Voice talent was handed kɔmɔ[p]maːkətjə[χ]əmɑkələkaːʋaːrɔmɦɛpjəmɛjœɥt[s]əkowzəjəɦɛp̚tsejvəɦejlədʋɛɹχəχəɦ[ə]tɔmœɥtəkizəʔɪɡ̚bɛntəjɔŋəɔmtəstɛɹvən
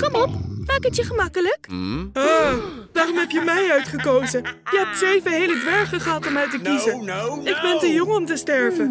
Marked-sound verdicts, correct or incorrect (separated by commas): correct, correct, incorrect, incorrect